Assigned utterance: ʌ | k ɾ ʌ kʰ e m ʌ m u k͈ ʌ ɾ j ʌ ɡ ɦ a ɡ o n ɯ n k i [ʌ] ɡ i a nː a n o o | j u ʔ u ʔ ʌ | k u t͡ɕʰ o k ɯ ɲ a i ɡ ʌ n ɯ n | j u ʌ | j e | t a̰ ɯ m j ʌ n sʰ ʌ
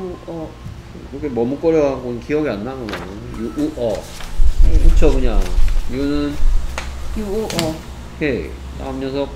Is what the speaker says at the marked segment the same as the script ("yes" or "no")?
yes